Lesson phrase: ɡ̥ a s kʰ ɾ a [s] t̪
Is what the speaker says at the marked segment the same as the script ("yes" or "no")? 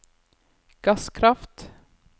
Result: no